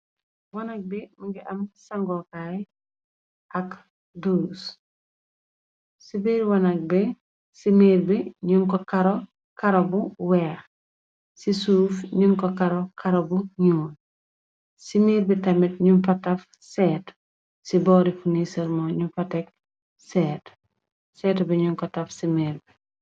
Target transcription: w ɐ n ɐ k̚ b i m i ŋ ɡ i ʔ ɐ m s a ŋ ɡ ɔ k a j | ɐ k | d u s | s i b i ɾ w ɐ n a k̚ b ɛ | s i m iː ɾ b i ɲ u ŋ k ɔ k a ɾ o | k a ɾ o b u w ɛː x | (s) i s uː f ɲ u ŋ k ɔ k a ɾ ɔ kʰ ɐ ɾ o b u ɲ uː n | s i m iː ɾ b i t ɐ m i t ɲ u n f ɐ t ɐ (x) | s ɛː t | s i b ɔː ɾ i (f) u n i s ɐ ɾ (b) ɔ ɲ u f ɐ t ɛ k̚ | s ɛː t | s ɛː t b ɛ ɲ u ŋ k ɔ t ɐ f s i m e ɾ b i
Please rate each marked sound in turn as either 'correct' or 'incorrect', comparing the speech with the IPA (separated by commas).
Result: correct, incorrect, correct, incorrect